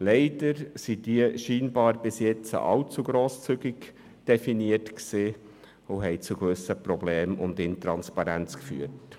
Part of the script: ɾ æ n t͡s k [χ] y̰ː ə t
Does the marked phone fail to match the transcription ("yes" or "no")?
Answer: yes